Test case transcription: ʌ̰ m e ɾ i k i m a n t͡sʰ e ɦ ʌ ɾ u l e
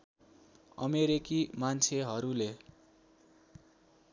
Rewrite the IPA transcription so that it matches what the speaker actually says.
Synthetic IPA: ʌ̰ m e ɾ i k i m a n t͡sʰ e ɦ ʌ ɾ u l e